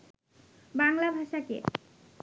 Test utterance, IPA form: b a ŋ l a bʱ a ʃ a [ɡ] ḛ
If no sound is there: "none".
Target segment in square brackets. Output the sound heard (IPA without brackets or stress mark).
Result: k